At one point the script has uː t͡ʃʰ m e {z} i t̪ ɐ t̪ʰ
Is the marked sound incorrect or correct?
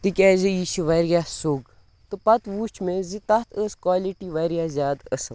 correct